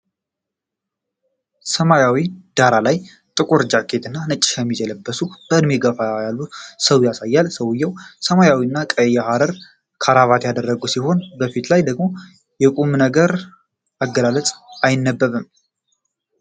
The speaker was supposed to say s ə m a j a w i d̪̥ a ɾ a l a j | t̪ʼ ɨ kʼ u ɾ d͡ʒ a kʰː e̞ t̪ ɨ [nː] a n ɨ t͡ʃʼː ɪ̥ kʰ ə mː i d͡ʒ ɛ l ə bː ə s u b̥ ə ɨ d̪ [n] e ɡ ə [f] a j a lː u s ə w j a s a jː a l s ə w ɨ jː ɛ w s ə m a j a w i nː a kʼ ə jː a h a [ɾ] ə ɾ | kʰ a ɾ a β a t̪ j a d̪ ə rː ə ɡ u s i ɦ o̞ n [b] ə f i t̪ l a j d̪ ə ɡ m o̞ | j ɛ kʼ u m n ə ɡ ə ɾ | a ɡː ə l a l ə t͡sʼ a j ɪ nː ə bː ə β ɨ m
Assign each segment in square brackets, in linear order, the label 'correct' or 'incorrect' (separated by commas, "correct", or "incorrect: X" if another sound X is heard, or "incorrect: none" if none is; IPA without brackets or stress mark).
correct, incorrect: m, correct, correct, correct